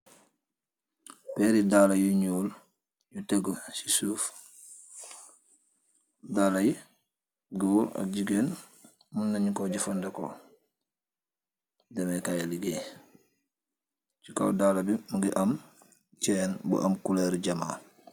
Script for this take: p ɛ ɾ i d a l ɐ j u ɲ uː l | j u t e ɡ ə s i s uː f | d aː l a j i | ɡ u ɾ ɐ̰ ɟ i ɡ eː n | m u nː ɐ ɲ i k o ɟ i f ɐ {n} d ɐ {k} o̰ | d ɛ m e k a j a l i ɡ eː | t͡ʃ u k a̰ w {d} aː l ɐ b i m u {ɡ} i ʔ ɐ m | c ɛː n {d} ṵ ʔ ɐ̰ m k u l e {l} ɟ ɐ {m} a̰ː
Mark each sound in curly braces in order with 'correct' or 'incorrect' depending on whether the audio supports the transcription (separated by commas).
correct, correct, correct, correct, incorrect, incorrect, correct